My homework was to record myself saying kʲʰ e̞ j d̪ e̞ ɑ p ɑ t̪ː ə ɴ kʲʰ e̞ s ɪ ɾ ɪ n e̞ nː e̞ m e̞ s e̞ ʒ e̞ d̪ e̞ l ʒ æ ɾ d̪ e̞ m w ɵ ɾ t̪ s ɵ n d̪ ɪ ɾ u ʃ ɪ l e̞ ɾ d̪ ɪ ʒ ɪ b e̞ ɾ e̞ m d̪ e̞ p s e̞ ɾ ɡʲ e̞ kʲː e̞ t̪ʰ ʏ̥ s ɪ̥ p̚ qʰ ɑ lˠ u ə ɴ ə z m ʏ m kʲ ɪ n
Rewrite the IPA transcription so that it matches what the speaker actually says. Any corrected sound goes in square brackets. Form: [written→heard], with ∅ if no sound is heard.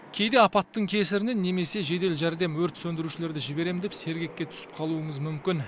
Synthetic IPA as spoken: kʲʰ e̞ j d̪ e̞ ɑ p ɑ t̪ː ə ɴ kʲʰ e̞ s ɪ ɾ ɪ n e̞ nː e̞ m e̞ s e̞ ʒ e̞ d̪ e̞ l ʒ æ ɾ d̪ e̞ m w ɵ ɾ t̪ s ɵ n d̪ ɪ ɾ u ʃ ɪ l e̞ ɾ d̪ ɪ ʒ ɪ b e̞ ɾ e̞ m d̪ e̞ p s e̞ ɾ ɡʲ e̞ kʲː e̞ t̪ʰ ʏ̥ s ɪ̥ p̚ qʰ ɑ lˠ u ə ɴ ə z m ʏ m kʲ ɪ n